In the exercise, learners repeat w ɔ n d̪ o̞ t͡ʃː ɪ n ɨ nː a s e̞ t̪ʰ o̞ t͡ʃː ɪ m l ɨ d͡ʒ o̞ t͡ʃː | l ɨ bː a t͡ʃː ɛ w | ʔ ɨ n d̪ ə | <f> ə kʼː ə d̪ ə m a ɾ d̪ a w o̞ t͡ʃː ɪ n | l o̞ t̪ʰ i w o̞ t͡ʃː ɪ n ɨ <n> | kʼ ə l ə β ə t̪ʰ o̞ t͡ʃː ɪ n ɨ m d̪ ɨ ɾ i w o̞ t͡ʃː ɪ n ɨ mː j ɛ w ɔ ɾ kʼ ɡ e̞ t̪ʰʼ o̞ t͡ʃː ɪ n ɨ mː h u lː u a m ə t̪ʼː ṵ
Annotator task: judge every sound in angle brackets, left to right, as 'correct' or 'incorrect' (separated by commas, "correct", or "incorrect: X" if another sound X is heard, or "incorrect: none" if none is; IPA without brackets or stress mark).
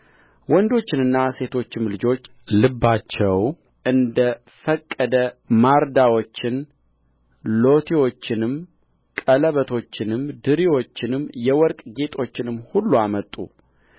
correct, incorrect: m